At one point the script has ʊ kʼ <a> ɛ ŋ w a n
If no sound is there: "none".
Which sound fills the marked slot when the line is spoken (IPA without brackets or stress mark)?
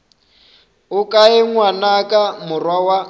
a